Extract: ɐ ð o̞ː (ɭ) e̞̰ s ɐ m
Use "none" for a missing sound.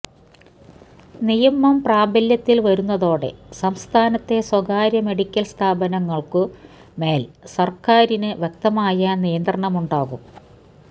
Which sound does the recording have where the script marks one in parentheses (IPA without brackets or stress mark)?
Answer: ɽ